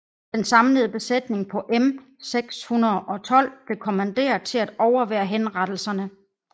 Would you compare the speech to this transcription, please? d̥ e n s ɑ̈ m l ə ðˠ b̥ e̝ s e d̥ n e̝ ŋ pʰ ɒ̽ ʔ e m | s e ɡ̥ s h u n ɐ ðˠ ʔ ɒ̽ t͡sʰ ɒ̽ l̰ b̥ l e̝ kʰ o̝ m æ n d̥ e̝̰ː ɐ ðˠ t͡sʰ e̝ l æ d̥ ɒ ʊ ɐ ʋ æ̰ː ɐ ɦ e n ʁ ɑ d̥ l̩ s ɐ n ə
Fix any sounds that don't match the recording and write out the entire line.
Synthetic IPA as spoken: d̥ e n s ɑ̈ m l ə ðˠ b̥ e̝ s e d̥ n e̝ ŋ pʰ ɒ̽ ʔ e m | s e ɡ̥ s h u n ɐ ðˠ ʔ ɒ̽ t͡sʰ ɒ̽ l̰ b̥ l e̝ kʰ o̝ m æ n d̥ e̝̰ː ɐ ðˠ t͡sʰ e̝ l æ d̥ ɒ ʊ ɐ ʋ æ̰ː ɐ ɦ e n ʁ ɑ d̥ l̩ s ɐ n ə

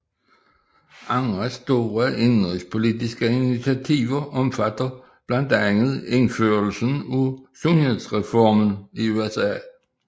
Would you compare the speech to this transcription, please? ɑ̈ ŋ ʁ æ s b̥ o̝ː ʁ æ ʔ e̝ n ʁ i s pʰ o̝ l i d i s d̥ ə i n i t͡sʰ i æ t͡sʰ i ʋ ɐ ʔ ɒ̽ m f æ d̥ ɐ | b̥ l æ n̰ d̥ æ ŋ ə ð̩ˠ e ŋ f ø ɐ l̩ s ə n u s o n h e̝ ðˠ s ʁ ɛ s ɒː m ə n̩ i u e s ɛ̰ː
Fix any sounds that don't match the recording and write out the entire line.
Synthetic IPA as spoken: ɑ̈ ŋ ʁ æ s d̥ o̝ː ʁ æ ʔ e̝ n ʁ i s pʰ o̝ l i d i s ɡ̥ ə i n i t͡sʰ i æ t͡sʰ i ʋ ɐ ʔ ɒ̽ m f æ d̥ ɐ | b̥ l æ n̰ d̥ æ ŋ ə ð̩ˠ e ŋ f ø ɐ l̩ s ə n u s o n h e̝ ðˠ s ʁ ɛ f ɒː m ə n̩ i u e s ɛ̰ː

